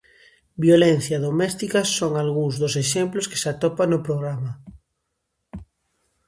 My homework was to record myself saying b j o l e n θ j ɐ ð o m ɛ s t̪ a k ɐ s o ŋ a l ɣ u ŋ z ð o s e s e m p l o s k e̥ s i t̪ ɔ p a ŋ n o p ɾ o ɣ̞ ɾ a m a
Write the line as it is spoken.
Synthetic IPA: b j o l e n θ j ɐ ð o m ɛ s t̪ i k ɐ s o ŋ a l ɣ u ŋ z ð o s e ʃ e m p l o s k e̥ s a t̪ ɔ p a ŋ n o p ɾ o ɣ̞ ɾ a m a